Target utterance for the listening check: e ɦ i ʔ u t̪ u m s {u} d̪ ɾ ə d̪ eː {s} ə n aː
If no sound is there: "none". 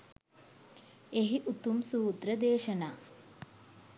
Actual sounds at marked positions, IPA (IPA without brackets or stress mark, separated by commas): uː, ʃ